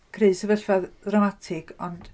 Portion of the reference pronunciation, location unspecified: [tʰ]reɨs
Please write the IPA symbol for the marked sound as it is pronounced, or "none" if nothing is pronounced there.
kʰ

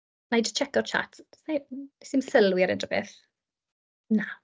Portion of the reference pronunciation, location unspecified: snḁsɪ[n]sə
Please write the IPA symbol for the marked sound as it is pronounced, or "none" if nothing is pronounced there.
m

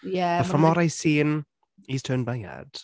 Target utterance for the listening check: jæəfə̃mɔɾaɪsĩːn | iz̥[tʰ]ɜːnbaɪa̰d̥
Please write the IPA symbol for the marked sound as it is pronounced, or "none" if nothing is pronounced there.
tʰ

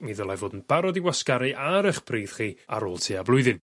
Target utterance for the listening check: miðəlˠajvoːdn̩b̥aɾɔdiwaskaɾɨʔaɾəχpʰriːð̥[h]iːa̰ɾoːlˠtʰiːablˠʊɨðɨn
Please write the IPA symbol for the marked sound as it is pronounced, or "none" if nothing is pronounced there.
χ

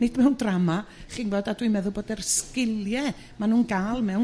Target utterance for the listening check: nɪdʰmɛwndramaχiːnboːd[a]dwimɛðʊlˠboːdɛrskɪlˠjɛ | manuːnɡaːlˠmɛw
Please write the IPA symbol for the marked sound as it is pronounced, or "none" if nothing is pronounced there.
a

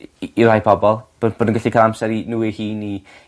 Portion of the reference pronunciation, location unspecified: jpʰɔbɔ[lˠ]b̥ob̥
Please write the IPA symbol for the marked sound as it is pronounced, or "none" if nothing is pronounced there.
lˠ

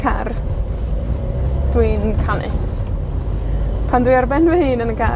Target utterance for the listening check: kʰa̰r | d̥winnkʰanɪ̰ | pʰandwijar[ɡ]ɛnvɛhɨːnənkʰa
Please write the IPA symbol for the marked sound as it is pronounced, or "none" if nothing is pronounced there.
b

